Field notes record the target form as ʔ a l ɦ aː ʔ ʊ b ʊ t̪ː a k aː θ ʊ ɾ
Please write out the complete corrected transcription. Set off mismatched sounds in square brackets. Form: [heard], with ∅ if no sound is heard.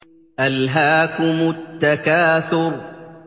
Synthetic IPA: ʔ a l ɦ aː [k] ʊ [m] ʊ t̪ː a k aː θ ʊ ɾ